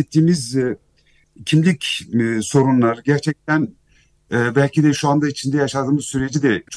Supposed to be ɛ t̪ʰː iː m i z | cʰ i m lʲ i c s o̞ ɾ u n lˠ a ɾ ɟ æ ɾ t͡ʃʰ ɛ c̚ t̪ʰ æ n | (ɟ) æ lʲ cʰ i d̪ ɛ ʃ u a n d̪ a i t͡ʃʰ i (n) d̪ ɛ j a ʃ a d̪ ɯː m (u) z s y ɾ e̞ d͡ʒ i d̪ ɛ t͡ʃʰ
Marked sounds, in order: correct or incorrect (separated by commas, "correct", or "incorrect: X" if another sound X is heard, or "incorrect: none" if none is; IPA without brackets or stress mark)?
incorrect: b, correct, incorrect: ɯ